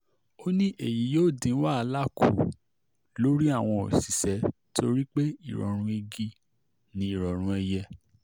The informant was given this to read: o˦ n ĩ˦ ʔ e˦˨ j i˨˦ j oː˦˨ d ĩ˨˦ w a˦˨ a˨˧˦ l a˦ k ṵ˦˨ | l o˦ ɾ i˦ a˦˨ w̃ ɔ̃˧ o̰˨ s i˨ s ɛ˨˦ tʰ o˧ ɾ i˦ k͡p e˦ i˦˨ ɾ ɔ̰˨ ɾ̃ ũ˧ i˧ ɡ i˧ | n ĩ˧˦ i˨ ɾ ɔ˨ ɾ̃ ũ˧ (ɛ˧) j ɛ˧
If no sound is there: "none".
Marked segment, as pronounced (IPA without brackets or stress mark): ɛ˧